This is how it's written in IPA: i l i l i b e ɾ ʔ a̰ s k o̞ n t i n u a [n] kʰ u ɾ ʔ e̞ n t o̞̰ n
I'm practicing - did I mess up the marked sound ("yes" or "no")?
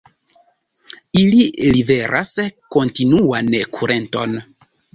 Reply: no